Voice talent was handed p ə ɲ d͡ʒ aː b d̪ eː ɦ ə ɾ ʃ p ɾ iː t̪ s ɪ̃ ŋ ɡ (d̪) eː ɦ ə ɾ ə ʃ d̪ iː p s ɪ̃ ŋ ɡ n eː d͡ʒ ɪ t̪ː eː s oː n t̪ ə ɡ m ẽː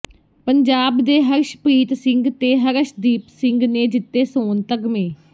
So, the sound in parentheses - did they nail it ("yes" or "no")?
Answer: no